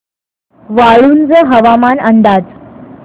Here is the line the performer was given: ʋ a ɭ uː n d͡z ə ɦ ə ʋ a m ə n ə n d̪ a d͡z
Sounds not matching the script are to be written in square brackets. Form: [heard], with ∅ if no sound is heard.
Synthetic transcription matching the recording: ʋ a ɭ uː n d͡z ə ɦ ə ʋ a m [a] n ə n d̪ a d͡z

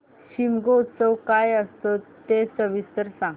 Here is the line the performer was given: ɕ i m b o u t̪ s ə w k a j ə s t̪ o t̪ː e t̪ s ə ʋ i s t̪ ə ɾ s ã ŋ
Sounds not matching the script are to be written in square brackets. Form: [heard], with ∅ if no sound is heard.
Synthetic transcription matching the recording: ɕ i m [ɡ] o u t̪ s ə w k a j ə s t̪ o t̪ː e [∅] s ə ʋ i s t̪ ə ɾ s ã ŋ

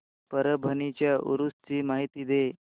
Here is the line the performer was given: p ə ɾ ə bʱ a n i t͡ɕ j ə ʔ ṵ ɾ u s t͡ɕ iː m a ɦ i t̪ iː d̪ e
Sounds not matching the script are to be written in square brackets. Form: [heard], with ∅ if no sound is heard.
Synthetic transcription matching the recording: p ə ɾ ə bʱ [ə] n i t͡ɕ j [a] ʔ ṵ ɾ u s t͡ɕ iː m a ɦ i t̪ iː d̪ e

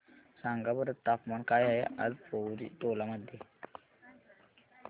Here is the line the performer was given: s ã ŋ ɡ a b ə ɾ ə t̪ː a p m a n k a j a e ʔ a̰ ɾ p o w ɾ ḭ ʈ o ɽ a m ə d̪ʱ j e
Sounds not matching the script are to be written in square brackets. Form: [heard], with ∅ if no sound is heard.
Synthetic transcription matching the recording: s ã ŋ ɡ a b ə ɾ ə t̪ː a p m a n k a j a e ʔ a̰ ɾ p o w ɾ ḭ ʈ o [l] a m ə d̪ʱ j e

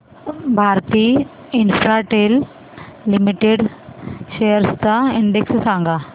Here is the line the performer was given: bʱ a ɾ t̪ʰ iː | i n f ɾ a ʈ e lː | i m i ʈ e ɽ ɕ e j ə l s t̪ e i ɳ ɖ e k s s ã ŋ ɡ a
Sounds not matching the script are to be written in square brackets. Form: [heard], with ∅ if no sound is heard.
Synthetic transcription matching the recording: bʱ a ɾ [t̪] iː | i n f ɾ a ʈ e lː | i m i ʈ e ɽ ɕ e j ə [ɾ] s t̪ [a] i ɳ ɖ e k s s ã ŋ ɡ a

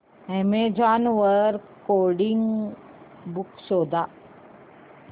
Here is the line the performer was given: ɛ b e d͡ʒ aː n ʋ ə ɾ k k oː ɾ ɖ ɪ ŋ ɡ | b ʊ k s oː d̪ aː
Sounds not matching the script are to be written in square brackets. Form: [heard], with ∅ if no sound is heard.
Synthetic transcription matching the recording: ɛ [m] e d͡ʒ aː n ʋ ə ɾ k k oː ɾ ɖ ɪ ŋ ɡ | b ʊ k s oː d̪ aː

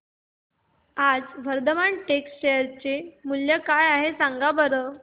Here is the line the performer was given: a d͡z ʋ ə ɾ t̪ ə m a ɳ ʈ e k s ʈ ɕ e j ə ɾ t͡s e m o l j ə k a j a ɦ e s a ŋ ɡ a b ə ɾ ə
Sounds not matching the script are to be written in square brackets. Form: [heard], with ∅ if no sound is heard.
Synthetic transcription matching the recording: a d͡z ʋ ə ɾ [d̪] ə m a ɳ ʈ e k s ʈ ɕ e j ə ɾ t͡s e m [u] l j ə k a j a ɦ e s a ŋ ɡ a b ə ɾ ə

